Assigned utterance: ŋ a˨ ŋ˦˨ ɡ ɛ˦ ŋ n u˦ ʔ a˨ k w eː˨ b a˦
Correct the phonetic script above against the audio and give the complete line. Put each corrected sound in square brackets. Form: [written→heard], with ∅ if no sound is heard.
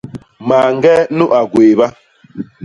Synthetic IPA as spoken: [ŋ→m] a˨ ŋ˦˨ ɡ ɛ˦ [ŋ→∅] n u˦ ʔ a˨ [k→ɡ] w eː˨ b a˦